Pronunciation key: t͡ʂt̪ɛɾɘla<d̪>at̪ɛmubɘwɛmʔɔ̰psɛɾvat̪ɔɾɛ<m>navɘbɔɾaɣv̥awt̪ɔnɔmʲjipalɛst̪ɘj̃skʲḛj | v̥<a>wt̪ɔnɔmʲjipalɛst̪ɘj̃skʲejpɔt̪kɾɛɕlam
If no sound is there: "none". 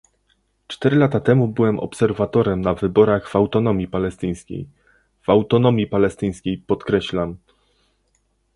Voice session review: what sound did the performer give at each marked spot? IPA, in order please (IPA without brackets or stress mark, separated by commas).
t̪, m, a